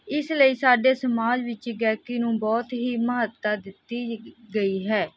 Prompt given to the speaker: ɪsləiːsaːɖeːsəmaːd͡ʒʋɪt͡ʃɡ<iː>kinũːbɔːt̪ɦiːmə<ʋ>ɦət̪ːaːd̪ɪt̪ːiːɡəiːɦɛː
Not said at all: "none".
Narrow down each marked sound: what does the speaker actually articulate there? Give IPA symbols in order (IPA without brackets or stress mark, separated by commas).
ɛː, none